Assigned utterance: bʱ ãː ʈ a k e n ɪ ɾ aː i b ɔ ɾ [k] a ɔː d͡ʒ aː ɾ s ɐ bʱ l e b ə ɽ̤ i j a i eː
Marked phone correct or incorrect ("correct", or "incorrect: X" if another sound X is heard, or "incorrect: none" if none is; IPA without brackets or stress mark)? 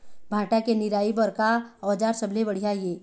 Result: correct